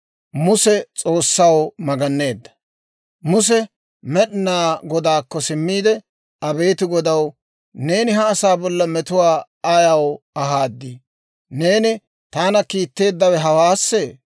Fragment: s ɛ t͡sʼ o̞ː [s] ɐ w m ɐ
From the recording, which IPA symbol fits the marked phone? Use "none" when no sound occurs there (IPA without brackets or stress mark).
sː